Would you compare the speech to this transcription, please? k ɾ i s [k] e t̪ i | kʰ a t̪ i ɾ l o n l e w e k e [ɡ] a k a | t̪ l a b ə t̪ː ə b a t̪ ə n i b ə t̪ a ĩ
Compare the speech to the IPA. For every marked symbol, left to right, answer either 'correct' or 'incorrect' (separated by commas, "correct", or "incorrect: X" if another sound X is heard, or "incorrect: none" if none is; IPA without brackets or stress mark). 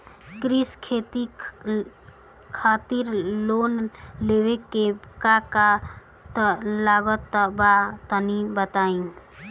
incorrect: kʰ, incorrect: k